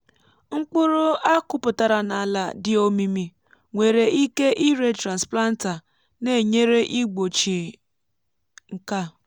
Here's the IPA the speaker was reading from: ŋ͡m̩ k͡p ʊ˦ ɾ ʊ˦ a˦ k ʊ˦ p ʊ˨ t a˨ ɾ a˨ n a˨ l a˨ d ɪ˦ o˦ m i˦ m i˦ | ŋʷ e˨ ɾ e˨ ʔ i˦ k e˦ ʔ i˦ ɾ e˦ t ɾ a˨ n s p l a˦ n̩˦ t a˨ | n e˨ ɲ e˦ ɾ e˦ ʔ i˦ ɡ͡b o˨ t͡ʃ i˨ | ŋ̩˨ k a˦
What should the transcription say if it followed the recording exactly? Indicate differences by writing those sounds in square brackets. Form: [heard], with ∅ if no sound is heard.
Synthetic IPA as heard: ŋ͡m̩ k͡p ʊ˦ ɾ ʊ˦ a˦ k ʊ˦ p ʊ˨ t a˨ ɾ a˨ n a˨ l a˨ d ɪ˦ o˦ m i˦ m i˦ | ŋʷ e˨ ɾ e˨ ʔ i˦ k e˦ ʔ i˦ ɾ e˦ t ɾ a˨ n s p l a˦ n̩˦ t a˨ | n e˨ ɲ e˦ ɾ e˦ ʔ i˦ ɡ͡b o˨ t͡ʃ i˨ | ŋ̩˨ k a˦